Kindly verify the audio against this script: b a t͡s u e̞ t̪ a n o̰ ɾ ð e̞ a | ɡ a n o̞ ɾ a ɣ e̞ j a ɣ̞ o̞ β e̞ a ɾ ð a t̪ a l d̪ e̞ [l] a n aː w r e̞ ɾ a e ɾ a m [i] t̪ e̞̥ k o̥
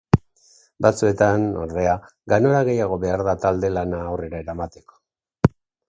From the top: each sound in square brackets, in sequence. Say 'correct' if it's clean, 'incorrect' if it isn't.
correct, incorrect: a

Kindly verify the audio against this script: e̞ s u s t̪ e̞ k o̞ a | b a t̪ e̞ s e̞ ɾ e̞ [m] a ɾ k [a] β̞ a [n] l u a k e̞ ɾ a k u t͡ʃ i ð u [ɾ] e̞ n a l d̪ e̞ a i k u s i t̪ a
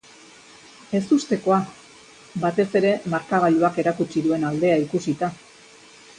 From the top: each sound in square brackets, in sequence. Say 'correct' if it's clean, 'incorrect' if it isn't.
correct, correct, incorrect: none, incorrect: none

